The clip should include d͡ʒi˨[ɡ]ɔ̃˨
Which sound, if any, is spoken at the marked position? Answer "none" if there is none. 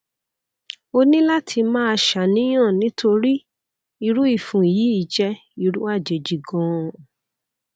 ɡ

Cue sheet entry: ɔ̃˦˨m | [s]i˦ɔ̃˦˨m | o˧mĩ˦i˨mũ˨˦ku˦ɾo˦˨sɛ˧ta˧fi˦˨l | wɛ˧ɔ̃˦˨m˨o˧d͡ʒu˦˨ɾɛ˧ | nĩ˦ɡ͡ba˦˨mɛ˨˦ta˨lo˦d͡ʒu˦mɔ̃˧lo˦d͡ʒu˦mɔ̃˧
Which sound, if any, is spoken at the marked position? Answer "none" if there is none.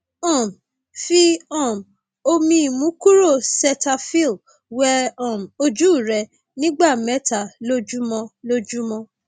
f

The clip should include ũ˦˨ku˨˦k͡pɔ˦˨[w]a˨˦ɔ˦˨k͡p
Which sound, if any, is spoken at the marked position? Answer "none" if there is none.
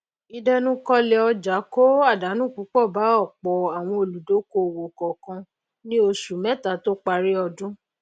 b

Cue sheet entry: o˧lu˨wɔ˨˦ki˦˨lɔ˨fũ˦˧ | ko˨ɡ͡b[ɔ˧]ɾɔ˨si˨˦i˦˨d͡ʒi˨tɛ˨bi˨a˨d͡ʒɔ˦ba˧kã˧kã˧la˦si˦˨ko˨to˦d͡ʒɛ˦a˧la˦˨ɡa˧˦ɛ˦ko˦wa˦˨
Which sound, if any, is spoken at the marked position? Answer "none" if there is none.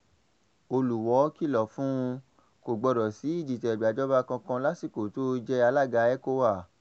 ɔ˧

